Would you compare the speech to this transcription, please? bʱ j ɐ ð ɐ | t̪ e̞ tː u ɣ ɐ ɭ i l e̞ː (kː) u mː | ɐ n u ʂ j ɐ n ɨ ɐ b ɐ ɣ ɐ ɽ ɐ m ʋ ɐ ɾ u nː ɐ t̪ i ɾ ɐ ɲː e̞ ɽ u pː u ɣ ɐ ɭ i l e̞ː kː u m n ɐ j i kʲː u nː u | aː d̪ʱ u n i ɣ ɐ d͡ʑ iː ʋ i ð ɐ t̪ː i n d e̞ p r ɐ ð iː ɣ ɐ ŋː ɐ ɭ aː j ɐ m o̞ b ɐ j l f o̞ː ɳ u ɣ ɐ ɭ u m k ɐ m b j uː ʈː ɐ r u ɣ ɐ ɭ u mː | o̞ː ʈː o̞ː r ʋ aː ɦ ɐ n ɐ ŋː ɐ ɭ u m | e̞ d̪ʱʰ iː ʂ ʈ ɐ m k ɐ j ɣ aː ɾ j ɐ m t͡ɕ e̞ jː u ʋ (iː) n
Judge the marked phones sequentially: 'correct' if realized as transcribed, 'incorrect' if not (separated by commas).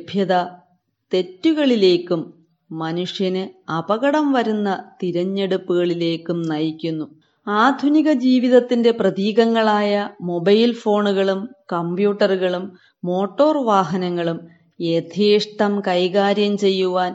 correct, incorrect